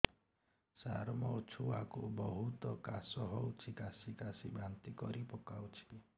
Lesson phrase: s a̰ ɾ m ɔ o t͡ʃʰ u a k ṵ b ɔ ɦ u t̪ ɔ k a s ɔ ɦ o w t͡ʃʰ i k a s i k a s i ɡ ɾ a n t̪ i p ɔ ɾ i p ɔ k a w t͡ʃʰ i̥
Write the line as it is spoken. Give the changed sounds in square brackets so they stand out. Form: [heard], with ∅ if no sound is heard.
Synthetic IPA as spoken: s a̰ ɾ m ɔ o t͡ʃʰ u a k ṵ b ɔ ɦ u t̪ ɔ k a s ɔ ɦ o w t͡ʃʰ i k a s i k a s i [b] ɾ a n t̪ i [k] ɔ ɾ i p ɔ k a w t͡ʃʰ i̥